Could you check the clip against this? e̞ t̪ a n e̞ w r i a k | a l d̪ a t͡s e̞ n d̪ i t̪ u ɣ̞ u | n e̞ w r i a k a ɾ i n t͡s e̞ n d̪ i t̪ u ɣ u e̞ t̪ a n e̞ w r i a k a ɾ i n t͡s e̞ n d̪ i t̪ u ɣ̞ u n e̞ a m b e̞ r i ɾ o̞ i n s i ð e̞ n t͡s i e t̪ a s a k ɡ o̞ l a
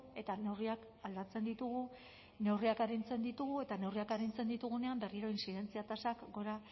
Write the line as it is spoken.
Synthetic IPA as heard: e̞ t̪ a n e̞ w r i a k | a l d̪ a t͡s e̞ n d̪ i t̪ u ɣ̞ u | n e̞ w r i a k a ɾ i n t͡s e̞ n d̪ i t̪ u ɣ u e̞ t̪ a n e̞ w r i a k a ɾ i n t͡s e̞ n d̪ i t̪ u ɣ̞ u n e̞ a m b e̞ r i ɾ o̞ i n s i ð e̞ n t͡s i a t̪ a s a k ɡ o̞ ɾ a